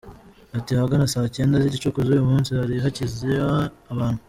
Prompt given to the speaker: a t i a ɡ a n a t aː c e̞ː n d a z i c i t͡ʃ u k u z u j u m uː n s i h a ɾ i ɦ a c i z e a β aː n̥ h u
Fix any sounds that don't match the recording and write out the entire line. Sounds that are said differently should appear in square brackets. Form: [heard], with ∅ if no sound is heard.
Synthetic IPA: a t i a ɡ a n a [s] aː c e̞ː n d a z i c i t͡ʃ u k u z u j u m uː n s i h a ɾ i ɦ a c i z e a β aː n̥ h u